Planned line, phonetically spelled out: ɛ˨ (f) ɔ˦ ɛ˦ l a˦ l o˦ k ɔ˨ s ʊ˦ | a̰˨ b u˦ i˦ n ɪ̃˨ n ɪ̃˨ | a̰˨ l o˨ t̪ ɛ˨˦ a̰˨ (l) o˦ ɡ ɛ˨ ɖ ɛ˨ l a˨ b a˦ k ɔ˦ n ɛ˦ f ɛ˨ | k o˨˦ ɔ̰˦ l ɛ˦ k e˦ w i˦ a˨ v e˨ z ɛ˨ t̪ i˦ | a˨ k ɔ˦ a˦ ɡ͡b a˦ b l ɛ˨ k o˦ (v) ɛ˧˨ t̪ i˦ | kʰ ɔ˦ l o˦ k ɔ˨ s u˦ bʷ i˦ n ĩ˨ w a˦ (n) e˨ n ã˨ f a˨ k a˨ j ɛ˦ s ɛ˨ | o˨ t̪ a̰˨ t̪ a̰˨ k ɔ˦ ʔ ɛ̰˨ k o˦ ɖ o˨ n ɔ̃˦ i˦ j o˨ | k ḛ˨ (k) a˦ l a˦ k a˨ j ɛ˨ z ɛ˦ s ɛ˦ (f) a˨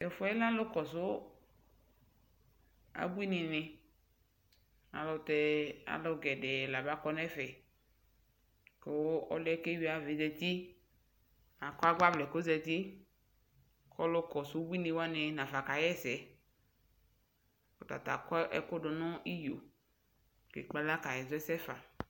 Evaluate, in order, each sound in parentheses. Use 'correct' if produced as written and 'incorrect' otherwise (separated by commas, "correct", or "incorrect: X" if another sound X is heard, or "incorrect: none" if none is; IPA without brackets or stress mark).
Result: correct, correct, incorrect: z, correct, incorrect: k͡p, correct